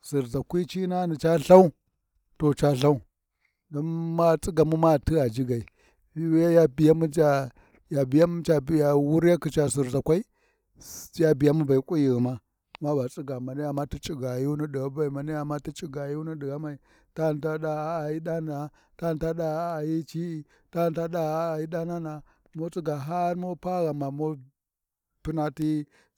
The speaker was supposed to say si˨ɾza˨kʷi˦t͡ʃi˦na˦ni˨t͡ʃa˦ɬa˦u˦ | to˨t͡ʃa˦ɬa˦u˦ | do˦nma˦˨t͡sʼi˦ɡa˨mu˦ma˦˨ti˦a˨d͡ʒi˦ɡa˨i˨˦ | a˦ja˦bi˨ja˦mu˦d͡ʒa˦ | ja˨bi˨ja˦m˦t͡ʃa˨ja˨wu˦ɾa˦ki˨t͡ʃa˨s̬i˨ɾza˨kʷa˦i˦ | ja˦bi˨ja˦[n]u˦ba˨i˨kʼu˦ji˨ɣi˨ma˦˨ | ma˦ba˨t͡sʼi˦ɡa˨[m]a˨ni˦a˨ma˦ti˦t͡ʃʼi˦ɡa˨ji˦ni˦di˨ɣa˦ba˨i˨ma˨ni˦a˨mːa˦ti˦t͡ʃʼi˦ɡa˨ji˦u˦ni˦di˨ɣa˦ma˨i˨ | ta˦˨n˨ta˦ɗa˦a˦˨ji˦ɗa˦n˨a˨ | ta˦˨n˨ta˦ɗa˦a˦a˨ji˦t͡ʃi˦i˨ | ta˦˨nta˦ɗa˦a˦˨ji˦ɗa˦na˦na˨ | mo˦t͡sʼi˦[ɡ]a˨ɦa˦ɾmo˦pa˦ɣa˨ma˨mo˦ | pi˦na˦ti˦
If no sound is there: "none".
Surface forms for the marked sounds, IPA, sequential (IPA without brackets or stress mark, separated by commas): m, m, ɡ